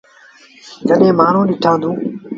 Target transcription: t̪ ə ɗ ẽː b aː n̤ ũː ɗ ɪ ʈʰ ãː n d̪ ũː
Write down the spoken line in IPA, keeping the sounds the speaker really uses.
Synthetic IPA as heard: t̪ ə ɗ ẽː m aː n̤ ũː ɗ ɪ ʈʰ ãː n d̪ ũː